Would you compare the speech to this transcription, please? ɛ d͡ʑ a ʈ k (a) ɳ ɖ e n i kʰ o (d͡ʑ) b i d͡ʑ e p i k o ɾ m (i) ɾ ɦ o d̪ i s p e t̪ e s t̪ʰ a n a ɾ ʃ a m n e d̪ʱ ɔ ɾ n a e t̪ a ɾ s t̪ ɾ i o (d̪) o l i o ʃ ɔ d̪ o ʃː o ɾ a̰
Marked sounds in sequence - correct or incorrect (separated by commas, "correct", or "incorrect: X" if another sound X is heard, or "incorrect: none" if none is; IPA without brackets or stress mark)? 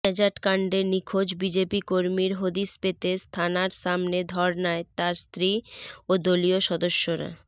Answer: correct, correct, correct, correct